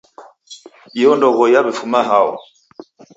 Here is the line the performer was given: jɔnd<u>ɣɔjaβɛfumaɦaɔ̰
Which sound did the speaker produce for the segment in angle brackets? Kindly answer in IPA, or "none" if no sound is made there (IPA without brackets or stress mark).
ɔ